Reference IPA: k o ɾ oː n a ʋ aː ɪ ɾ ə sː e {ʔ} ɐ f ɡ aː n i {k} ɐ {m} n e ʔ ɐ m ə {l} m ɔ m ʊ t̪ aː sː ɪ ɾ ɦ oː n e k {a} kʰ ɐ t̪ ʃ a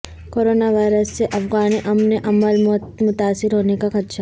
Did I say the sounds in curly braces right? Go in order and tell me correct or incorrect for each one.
correct, incorrect: ʔ, correct, correct, correct

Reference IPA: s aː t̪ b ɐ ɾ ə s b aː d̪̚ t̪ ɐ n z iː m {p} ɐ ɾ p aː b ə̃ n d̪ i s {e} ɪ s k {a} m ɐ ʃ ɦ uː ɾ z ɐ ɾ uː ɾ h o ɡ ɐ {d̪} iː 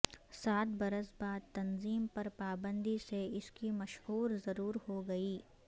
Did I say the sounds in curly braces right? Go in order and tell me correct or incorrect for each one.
correct, correct, incorrect: i, incorrect: none

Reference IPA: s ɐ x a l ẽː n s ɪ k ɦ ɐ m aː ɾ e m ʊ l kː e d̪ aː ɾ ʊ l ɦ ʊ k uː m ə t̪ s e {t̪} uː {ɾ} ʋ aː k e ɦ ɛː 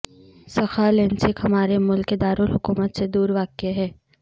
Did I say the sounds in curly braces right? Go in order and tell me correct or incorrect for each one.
incorrect: d̪, correct

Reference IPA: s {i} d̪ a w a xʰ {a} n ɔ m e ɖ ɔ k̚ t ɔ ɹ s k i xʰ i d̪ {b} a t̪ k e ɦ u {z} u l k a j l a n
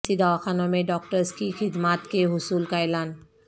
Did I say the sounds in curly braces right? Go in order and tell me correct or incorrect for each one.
correct, correct, incorrect: m, incorrect: s

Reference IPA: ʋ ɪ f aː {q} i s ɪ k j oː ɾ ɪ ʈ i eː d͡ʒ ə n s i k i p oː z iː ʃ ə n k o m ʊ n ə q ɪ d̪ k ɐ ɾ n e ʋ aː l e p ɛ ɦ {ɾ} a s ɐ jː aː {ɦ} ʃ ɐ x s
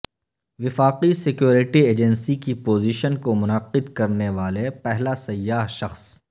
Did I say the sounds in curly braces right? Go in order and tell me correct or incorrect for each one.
correct, incorrect: l, correct

